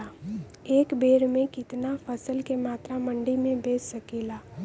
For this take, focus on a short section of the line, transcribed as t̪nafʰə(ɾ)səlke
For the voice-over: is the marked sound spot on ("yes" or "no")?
no